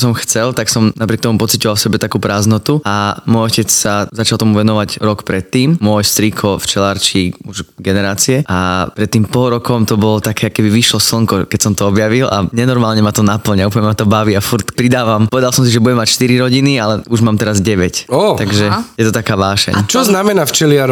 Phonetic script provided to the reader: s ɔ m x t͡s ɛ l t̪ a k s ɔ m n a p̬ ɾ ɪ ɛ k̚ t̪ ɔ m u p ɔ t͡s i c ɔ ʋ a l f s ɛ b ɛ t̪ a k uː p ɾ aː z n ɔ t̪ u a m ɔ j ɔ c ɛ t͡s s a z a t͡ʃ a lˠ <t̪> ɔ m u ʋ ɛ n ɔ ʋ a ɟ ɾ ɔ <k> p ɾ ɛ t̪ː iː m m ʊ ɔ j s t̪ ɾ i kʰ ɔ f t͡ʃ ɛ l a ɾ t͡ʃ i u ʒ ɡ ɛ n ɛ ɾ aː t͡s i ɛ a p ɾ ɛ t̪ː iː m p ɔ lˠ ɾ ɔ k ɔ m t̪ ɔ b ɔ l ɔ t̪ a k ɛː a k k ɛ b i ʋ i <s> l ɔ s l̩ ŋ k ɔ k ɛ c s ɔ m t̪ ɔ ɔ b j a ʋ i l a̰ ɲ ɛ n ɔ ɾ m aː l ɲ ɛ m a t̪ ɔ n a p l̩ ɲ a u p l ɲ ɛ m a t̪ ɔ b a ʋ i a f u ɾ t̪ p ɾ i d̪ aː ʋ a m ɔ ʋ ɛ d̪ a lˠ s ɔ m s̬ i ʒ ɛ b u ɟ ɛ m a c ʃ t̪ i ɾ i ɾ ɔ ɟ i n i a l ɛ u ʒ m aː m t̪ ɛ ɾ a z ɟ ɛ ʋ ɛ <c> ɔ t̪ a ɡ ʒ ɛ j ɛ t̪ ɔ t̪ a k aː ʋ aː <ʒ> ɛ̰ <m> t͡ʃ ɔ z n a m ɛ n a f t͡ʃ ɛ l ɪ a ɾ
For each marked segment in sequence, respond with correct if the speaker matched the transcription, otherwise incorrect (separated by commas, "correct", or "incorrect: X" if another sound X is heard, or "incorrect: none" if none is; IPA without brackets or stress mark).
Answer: correct, correct, incorrect: ʃ, correct, incorrect: ʃ, incorrect: ɲ